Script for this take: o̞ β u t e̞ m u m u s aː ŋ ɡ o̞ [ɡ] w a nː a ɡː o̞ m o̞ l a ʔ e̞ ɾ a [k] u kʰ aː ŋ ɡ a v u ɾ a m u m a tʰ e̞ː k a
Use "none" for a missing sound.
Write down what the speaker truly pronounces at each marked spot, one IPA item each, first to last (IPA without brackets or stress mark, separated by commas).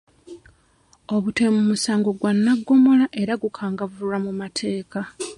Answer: ɡ, ɡ